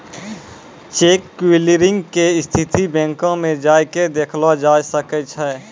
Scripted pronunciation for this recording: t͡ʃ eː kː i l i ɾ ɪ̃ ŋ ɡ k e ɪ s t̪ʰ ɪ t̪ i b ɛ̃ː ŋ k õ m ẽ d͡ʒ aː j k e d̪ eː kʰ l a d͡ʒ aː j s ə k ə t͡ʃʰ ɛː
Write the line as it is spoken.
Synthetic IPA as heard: t͡ʃ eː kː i l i ɾ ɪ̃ ŋ ɡ k e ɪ s t̪ʰ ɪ t̪ i b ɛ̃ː ŋ k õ m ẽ d͡ʒ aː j k e d̪ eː kʰ l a d͡ʒ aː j s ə k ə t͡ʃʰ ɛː